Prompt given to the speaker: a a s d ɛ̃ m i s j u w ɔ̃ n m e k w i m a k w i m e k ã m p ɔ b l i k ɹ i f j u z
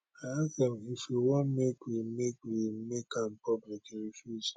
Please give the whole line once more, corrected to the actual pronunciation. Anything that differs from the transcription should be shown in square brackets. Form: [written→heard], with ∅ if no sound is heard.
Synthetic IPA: a a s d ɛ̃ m i [s→f] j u w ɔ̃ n m e k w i m [a→e] k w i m e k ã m p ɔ b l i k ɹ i f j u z